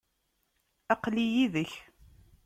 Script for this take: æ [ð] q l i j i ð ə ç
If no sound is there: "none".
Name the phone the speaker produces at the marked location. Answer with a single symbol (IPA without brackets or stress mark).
none